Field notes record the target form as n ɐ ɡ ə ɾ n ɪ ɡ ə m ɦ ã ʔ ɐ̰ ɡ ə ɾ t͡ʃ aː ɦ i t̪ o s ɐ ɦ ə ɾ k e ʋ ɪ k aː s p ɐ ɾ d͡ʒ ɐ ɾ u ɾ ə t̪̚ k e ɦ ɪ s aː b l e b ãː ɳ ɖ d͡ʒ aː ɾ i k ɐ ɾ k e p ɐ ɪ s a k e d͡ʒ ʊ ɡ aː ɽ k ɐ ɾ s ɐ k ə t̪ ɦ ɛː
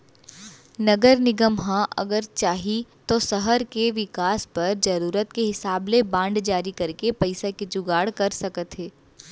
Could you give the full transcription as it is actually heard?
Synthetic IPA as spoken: n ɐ ɡ ə ɾ n ɪ ɡ ə m ɦ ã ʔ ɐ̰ ɡ ə ɾ t͡ʃ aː ɦ i t̪ o s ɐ ɦ ə ɾ k e ʋ ɪ k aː s p ɐ ɾ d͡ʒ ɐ ɾ uː ɾ ə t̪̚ k e ɦ ɪ s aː b l e b ãː ɳ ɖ d͡ʒ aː ɾ i k ɐ ɾ k e p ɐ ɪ s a k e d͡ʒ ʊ ɡ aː ɽ k ɐ ɾ s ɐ k ə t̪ ɦ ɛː